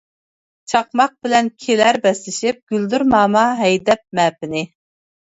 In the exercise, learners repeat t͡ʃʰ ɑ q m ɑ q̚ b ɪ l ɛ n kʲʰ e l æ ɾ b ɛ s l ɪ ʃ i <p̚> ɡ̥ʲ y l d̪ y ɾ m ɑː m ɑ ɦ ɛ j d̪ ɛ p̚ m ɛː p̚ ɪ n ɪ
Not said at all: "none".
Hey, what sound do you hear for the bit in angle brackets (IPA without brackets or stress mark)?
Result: p̚